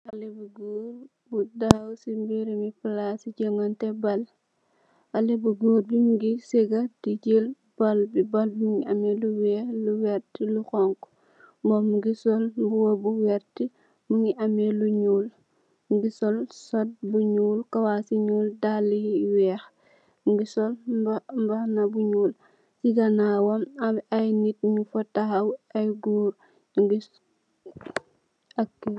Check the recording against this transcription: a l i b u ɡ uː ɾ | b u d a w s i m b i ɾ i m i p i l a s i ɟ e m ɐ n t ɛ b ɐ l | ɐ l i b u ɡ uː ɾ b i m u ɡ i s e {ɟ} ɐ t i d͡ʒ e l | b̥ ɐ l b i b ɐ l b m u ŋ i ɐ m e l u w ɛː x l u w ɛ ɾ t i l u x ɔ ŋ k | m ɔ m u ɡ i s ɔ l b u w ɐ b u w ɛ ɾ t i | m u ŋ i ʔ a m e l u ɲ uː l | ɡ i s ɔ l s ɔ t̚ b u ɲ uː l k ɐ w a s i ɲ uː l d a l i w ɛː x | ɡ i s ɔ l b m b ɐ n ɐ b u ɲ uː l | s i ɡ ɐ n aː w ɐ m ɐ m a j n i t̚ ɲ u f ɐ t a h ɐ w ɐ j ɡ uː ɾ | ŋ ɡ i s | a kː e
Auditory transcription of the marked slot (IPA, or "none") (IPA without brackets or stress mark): ɡ